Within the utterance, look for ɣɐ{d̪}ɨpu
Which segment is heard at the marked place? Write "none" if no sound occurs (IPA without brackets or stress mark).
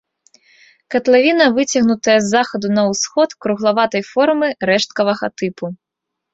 t̪